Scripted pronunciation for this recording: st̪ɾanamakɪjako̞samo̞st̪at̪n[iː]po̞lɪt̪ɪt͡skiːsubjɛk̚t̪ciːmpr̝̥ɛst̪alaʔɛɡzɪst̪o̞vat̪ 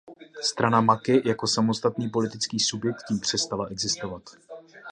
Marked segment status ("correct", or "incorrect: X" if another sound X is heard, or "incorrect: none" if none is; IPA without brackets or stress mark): correct